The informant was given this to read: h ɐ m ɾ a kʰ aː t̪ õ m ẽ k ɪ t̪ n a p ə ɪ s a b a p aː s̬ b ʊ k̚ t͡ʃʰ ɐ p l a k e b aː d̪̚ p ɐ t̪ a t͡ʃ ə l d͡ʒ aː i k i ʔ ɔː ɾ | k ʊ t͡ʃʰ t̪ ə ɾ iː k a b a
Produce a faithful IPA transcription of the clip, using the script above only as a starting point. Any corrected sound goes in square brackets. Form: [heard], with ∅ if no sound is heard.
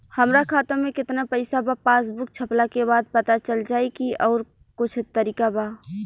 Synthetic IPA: h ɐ m ɾ a kʰ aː t̪ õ m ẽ k ɪ t̪ n a p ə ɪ s a b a p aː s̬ b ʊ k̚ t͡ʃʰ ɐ p l a k e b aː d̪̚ p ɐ t̪ a t͡ʃ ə l d͡ʒ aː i k i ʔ ɔː ɾ | k ʊ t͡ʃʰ t̪ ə ɾ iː k a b a